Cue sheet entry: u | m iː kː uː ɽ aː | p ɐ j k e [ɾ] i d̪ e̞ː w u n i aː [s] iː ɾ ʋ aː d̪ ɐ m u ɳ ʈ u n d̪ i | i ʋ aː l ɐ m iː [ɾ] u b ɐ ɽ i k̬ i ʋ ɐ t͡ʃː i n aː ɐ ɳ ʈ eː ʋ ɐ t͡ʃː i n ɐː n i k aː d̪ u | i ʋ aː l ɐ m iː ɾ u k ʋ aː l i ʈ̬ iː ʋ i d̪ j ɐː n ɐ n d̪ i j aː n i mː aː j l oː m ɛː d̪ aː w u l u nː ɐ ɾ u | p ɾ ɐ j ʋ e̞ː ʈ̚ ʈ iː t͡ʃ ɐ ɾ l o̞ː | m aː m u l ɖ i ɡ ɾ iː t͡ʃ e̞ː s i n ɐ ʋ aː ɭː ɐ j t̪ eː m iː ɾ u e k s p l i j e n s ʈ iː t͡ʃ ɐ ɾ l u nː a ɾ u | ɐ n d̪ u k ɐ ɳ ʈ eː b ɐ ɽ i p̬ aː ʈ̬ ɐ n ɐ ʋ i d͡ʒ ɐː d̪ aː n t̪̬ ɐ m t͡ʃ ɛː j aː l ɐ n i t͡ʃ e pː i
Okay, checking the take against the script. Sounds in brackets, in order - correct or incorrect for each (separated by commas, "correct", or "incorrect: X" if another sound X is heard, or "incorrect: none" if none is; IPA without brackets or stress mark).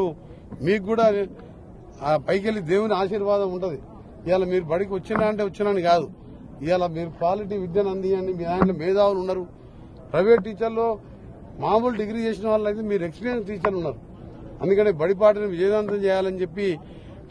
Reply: incorrect: l, incorrect: ʃ, correct